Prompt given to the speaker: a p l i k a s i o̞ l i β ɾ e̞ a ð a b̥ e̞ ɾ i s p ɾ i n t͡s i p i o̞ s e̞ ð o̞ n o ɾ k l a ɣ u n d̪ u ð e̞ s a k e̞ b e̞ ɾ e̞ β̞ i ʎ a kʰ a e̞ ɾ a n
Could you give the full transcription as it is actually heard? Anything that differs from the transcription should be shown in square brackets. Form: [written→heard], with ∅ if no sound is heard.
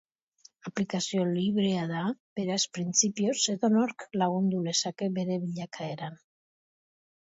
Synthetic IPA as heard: a p l i k a s i o̞ l i β ɾ e̞ a ð a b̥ e̞ ɾ [i→a] s p ɾ i n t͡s i p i o̞ s e̞ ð o̞ n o ɾ k l a ɣ u n d̪ u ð e̞ s a k e̞ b e̞ ɾ e̞ β̞ i ʎ a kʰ a e̞ ɾ a n